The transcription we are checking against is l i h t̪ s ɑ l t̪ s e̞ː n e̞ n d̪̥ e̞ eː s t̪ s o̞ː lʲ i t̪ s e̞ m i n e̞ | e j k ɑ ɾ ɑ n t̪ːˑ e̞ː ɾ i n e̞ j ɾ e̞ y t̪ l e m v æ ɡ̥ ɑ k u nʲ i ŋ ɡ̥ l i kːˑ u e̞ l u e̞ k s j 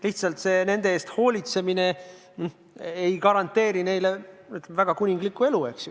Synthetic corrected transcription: l i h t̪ s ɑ l t̪ s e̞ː n e̞ n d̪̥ e̞ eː s t̪ h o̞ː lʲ i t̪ s e̞ m i n e̞ | e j k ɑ ɾ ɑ n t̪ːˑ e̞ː ɾ i n e̞ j l e̞ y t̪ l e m v æ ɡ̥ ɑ k u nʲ i ŋ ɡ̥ l i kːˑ u e̞ l u e̞ k s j